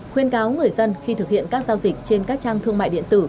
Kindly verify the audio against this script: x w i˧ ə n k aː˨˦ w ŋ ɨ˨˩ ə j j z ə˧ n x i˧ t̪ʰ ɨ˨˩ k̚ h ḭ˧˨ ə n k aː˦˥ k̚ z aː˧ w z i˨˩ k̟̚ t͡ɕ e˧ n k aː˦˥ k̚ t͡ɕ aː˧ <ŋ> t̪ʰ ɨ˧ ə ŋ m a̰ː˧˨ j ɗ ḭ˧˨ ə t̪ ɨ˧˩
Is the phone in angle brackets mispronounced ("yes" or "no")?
no